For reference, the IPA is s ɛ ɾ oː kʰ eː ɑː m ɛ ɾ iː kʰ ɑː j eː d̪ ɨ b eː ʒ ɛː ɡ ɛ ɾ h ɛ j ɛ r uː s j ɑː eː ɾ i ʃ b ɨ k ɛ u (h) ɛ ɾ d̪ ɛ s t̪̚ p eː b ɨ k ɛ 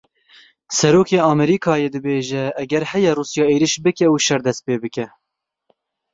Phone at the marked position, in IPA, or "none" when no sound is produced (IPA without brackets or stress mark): ʃ